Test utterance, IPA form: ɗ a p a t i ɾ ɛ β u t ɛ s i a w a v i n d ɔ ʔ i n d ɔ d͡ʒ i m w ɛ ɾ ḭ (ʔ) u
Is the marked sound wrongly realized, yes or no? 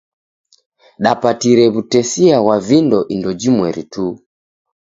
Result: yes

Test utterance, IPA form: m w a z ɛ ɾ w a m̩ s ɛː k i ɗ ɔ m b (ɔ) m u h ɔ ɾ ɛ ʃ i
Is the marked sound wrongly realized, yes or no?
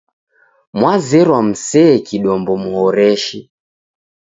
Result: no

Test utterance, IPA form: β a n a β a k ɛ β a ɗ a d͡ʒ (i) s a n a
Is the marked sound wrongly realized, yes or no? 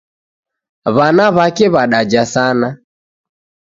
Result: yes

